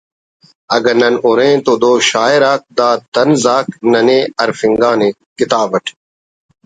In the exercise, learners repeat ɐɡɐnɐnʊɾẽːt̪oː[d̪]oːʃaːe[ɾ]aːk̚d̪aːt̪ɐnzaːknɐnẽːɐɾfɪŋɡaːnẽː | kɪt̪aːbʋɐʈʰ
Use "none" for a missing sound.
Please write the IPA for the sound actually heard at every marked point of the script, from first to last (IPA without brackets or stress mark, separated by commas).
d̪, ɾ